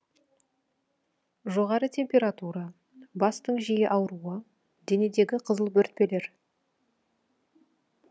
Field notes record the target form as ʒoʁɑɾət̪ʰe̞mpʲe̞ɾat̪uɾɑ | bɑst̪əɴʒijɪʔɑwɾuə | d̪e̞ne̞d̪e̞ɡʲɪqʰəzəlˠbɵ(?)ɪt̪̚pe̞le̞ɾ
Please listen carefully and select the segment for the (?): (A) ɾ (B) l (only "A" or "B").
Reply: A